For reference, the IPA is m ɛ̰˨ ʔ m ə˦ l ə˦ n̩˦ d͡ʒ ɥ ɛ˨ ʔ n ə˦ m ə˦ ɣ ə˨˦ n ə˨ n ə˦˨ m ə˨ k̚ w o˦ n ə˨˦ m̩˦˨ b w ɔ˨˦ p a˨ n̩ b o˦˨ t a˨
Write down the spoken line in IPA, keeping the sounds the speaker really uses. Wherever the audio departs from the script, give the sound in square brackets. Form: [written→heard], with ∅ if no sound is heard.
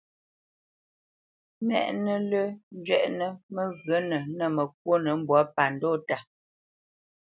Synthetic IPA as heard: m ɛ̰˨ ʔ [m→n] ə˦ l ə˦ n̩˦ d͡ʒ ɥ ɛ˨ ʔ n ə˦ m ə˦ ɣ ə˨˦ n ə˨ n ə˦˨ m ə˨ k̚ w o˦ n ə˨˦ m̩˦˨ b w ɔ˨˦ p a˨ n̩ [b→d] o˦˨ t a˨